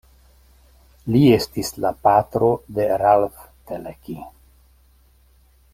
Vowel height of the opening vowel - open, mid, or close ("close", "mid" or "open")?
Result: close